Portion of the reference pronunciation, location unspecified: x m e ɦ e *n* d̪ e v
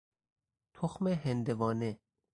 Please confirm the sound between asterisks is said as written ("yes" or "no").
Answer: yes